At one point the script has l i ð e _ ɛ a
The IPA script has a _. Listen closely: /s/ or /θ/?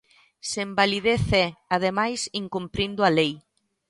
θ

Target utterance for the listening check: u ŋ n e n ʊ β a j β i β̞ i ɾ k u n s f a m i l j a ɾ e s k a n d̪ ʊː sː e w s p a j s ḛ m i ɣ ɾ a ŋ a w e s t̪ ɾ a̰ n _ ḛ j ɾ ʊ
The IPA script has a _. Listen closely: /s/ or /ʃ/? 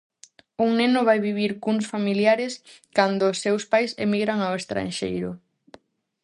ʃ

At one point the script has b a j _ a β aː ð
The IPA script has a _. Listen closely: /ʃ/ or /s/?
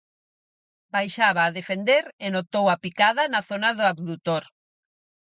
ʃ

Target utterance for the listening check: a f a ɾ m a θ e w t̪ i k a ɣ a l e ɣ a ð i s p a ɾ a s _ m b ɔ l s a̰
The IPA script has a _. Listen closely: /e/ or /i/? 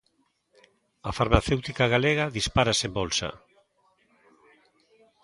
e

